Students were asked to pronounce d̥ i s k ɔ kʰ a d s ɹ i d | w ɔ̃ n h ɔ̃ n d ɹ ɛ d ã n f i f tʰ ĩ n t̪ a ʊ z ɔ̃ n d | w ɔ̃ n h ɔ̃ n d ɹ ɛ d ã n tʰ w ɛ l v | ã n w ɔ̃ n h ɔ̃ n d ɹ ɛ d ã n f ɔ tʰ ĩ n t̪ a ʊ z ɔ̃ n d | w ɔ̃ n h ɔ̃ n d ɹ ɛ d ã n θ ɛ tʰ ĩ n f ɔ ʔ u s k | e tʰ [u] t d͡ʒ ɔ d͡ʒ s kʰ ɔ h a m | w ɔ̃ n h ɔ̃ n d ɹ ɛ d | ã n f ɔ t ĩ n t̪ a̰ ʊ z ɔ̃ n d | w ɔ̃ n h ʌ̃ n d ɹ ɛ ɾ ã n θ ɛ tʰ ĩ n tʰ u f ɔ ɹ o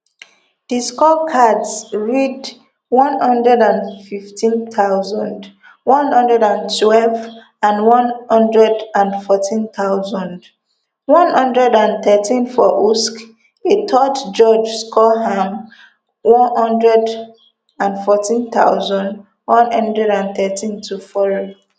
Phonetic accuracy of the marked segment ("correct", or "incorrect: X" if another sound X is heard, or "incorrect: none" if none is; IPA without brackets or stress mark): incorrect: ɔ